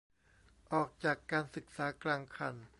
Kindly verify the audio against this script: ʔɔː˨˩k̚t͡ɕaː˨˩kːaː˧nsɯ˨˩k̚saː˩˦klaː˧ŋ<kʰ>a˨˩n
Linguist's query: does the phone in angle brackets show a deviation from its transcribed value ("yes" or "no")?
no